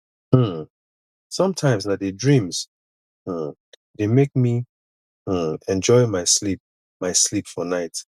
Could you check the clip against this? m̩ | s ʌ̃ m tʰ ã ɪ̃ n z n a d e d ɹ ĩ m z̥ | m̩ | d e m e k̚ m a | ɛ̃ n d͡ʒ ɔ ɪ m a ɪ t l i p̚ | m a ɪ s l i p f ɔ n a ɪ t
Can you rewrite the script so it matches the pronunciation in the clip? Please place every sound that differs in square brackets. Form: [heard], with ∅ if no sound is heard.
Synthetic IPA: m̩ | s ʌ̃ m tʰ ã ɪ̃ [m] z n a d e d ɹ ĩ m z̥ | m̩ | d e m e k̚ m [i] | ɛ̃ n d͡ʒ ɔ ɪ m a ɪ [s] l i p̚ | m a ɪ s l i p f ɔ n a ɪ t

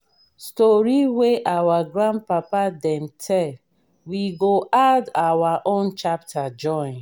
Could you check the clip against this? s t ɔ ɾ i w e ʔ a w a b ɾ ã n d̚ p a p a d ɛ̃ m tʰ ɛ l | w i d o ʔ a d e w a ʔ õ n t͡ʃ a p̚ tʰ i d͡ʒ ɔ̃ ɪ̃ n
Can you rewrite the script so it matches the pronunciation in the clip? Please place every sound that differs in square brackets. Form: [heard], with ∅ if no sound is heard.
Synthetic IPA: s t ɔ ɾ i w e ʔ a w a [ɡ] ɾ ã n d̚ p a p a d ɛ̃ m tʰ ɛ l | w i [ɡ] o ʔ a d [a] w a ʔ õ n t͡ʃ a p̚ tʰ [a] d͡ʒ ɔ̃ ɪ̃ n

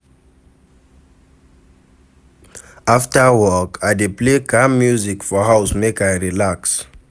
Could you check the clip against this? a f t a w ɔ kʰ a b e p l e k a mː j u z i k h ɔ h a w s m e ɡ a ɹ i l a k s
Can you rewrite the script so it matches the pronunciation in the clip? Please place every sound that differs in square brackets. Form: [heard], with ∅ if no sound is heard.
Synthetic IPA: a f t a w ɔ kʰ a [d] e p l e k a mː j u z i k [f] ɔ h a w s m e [k] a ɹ i l a k s

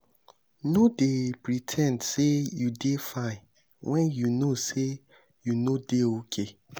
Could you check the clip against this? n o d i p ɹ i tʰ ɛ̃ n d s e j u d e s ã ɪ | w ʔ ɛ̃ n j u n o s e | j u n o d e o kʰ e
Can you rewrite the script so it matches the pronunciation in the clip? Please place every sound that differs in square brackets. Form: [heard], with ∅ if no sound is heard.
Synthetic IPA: n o d [e] p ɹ i tʰ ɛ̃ n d s e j u d e [f] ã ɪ | w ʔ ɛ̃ n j u n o s e | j u n o d e o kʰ e

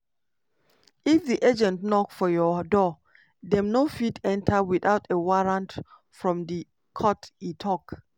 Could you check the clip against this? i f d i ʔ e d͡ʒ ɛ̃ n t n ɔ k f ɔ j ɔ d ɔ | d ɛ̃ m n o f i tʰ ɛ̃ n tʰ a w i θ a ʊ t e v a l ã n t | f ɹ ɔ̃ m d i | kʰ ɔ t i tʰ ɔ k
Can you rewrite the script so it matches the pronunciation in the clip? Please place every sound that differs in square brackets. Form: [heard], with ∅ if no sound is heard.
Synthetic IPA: i f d i ʔ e d͡ʒ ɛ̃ n t n ɔ k f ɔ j ɔ d ɔ | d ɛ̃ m n o f i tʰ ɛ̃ n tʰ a w i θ a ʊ t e [w] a [ɹ] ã n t | f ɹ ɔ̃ m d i | kʰ ɔ t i tʰ ɔ k

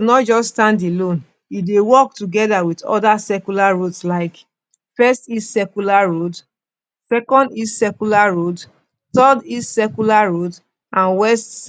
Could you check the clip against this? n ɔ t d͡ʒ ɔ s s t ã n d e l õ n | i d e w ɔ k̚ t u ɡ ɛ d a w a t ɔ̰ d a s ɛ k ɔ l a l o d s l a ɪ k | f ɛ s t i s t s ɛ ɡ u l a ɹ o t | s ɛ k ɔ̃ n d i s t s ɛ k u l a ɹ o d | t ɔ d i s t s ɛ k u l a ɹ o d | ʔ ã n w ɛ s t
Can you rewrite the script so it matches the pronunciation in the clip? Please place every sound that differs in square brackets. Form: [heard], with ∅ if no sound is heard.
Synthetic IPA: n ɔ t d͡ʒ ɔ s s t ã n d e l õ n | i d e w ɔ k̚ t u ɡ ɛ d a w [i] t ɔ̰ d a s ɛ k [u] l a [ɹ] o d s l a ɪ k | f ɛ s t i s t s ɛ [k] u l a ɹ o [d] | s ɛ k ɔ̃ n d i s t s ɛ k u l a ɹ o d | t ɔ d i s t s ɛ k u l a ɹ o d | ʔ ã n w ɛ s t

